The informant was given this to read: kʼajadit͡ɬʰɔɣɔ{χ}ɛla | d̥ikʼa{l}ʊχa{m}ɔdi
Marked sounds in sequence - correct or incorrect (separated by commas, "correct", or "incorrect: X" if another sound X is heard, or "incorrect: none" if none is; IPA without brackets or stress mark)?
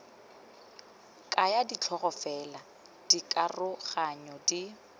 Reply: incorrect: f, incorrect: r, incorrect: ɲ